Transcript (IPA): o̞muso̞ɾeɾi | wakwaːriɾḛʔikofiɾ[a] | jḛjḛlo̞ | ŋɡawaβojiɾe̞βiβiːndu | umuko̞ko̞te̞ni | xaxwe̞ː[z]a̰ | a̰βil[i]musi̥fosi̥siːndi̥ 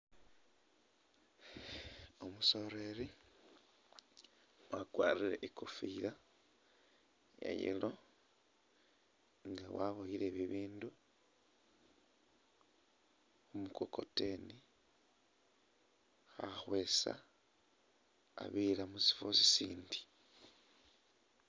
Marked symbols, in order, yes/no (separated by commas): yes, no, no